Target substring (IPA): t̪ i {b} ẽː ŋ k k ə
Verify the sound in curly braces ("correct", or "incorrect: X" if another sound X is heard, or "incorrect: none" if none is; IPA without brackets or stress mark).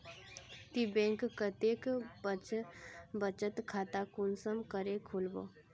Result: correct